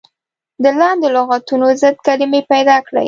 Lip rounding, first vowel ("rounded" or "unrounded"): unrounded